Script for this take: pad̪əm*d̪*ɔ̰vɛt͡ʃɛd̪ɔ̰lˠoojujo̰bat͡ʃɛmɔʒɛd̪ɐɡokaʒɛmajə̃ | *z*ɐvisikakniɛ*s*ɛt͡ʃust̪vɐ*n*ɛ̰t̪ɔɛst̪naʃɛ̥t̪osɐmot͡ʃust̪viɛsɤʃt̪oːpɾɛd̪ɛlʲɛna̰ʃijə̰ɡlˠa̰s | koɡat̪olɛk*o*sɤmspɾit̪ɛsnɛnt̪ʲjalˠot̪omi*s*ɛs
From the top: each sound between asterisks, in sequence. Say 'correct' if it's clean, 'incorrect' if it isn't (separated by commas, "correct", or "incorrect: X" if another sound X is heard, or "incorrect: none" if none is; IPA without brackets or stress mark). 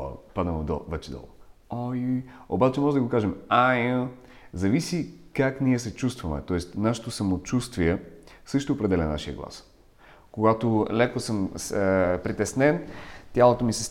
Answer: correct, correct, correct, incorrect: m, correct, correct